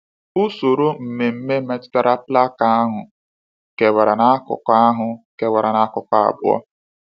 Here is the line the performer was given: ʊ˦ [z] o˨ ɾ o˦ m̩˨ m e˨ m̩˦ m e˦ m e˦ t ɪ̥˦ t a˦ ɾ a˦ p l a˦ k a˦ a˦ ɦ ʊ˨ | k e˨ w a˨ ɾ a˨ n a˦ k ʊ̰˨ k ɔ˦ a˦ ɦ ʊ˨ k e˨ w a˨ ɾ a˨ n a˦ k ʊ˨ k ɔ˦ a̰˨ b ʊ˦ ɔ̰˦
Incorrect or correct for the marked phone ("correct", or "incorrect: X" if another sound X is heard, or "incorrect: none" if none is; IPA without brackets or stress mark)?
incorrect: s